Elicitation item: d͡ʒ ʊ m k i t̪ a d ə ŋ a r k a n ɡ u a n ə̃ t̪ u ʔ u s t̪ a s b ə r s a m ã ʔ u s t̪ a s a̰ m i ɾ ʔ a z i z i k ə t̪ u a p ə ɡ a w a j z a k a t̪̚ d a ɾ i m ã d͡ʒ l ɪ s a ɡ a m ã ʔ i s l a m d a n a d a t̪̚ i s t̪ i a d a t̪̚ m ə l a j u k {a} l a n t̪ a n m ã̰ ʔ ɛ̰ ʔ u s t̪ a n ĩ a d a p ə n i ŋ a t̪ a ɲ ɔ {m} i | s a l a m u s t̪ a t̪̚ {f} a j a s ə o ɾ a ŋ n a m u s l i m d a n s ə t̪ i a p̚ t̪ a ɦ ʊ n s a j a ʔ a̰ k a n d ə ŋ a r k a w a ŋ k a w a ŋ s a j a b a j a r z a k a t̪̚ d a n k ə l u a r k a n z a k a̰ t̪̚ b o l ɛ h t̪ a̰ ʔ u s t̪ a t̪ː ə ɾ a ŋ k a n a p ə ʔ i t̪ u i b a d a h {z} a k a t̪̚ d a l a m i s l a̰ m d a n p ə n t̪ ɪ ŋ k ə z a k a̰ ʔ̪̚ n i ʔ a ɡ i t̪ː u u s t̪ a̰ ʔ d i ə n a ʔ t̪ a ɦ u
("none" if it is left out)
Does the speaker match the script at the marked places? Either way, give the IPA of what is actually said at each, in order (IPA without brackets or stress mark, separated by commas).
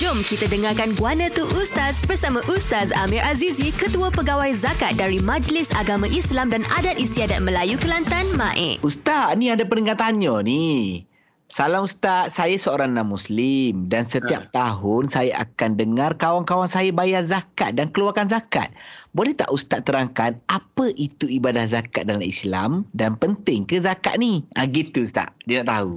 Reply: ə, n, s, z